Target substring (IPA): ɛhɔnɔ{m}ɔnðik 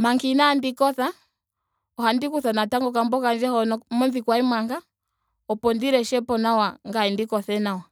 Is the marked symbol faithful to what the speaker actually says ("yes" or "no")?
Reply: yes